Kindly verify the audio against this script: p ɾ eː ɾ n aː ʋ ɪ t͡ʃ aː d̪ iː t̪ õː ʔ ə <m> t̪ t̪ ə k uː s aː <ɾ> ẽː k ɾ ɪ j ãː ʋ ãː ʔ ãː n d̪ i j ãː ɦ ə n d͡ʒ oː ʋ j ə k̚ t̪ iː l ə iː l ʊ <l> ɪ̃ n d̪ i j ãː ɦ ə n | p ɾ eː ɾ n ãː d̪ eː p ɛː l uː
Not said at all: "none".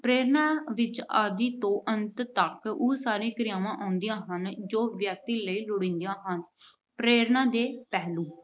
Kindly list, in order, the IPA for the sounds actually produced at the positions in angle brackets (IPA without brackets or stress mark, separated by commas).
n, ɾ, ɽ